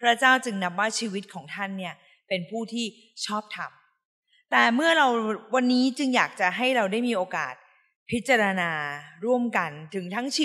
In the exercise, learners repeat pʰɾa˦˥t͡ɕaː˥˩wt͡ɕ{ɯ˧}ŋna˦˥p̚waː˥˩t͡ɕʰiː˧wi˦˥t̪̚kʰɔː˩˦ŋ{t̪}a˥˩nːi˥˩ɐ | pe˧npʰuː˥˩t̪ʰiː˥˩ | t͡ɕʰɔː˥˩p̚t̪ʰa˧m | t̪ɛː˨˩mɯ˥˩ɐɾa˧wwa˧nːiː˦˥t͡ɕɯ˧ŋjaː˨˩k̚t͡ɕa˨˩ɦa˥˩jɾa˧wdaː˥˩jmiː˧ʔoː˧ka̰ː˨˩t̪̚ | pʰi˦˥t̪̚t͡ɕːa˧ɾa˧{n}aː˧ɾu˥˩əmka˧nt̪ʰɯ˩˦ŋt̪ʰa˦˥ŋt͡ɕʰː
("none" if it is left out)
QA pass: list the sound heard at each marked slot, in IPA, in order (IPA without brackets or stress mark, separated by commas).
ɯ˧, t̪ʰ, n